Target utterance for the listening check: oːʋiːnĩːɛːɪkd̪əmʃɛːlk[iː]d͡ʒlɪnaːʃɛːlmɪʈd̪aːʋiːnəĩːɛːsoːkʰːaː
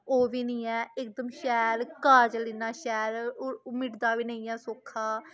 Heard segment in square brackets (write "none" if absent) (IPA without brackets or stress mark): aː